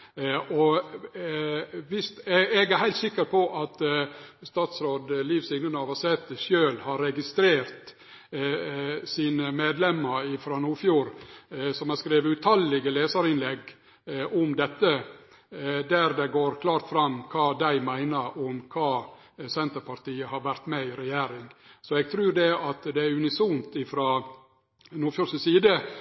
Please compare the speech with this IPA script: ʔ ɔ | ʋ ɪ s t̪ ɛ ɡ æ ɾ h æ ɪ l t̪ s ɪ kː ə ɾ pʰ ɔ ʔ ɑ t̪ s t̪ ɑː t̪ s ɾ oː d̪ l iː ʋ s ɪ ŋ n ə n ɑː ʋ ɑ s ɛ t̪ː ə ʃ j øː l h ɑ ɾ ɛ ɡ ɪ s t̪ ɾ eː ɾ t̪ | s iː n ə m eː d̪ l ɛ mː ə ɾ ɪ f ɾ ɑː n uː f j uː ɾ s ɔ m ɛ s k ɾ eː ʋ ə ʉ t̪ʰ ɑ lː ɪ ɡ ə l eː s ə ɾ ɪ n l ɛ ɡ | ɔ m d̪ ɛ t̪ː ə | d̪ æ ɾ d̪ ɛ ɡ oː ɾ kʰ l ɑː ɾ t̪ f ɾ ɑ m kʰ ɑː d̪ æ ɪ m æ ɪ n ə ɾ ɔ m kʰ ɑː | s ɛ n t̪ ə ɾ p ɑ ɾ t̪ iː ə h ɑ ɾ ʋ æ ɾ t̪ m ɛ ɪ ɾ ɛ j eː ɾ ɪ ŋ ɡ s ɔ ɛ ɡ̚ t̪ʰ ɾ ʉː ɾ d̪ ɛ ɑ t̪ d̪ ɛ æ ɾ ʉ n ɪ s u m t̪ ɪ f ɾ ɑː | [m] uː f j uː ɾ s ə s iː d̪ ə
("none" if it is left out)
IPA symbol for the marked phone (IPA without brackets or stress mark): n